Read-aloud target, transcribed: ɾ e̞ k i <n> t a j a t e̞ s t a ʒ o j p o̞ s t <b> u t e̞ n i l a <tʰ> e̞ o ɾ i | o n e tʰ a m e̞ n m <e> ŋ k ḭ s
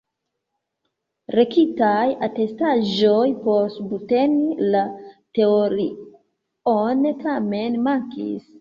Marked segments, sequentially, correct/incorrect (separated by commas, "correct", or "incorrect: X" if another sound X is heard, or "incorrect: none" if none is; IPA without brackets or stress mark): incorrect: none, correct, incorrect: t, incorrect: a